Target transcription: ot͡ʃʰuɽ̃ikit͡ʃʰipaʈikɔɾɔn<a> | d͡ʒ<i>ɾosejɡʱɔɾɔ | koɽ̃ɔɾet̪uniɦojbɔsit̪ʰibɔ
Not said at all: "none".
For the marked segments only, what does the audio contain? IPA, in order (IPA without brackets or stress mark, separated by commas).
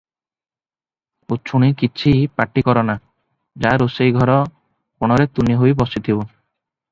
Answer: a, a